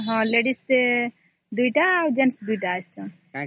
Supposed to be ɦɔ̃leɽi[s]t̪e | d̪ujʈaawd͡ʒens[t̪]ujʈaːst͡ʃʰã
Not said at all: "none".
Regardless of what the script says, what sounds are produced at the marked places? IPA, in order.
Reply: s, d̪

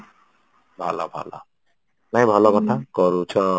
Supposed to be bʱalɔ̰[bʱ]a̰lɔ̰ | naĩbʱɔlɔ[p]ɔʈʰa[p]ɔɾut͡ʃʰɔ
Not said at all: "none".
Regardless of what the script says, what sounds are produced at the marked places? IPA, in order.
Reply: bʱ, k, k

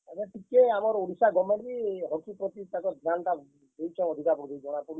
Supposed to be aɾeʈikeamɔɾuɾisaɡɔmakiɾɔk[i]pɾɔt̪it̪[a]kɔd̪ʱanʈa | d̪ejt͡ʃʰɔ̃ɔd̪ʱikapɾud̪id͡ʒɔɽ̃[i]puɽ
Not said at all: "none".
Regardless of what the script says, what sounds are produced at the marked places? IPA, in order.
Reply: i, a, a

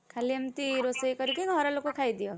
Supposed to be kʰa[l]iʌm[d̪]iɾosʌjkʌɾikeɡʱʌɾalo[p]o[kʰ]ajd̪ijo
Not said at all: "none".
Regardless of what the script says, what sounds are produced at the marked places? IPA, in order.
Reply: l, t̪, k, kʰ

